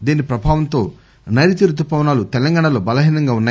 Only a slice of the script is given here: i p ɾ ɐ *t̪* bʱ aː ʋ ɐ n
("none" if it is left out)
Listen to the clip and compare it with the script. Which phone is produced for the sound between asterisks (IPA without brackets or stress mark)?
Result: none